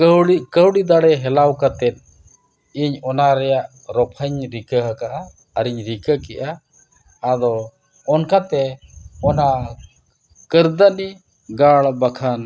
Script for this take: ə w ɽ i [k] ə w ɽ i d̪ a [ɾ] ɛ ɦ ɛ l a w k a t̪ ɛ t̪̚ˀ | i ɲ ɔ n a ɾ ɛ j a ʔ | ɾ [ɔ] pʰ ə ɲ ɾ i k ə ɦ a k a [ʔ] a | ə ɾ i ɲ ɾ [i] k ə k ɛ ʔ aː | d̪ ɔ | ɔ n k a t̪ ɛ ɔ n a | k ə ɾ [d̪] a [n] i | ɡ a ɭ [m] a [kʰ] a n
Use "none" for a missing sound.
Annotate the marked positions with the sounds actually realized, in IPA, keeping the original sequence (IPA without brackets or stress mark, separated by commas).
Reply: k, ɽ, ɔ, ʔ, i, d̪, n, b, kʰ